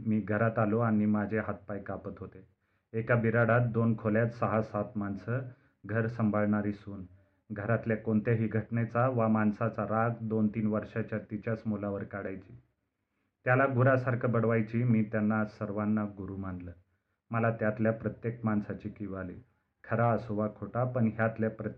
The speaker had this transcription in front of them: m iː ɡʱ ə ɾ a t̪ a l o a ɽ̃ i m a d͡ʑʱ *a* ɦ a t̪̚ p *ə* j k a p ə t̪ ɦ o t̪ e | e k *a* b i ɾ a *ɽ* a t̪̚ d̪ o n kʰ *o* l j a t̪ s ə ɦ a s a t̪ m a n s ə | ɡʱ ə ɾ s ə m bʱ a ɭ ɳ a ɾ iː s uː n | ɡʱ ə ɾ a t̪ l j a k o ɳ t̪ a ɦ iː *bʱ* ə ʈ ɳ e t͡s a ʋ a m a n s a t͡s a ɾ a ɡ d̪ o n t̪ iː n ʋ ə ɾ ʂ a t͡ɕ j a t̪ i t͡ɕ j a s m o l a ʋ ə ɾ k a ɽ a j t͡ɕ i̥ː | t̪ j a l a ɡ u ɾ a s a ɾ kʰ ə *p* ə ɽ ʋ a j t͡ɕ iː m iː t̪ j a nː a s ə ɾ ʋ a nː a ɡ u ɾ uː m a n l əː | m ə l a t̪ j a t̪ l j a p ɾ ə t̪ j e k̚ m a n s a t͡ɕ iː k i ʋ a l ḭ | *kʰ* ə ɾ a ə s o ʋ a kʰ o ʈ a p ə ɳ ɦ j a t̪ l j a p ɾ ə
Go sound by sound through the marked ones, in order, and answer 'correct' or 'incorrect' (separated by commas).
incorrect, incorrect, correct, correct, correct, incorrect, incorrect, correct